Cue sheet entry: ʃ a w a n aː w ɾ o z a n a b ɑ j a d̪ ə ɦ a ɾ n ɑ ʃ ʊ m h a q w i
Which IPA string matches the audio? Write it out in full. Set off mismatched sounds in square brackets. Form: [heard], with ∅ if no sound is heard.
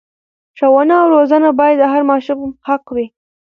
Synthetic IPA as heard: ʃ a w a n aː w ɾ o z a n a b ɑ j a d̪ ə ɦ a ɾ [m] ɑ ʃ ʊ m h a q w i